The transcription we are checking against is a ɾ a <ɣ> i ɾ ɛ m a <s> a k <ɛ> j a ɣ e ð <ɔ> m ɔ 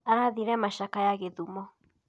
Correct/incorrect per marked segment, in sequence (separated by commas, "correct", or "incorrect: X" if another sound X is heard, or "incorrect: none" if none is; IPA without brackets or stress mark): incorrect: ð, incorrect: ʃ, incorrect: a, incorrect: u